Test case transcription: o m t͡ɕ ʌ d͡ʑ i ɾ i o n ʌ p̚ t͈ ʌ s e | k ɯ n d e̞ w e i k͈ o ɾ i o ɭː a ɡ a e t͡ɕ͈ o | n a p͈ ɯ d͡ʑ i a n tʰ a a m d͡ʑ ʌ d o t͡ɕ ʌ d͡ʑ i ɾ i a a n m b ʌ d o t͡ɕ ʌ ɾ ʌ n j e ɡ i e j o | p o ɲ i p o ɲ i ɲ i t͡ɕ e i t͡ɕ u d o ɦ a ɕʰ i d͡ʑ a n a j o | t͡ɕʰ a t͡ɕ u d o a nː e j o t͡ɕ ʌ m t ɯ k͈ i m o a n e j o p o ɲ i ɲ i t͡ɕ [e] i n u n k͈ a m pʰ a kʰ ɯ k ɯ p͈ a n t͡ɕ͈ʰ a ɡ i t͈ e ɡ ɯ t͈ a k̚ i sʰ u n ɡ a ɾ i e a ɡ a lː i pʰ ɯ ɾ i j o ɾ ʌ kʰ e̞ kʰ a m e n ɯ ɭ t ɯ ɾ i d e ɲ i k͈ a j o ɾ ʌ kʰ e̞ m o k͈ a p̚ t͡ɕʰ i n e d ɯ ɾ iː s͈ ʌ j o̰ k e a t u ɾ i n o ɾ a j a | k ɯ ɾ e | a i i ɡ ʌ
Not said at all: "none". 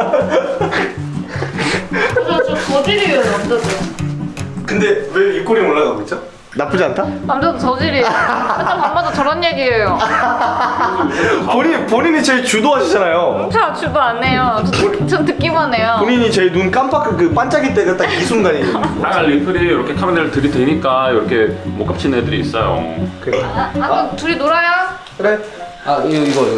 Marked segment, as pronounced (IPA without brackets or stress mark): e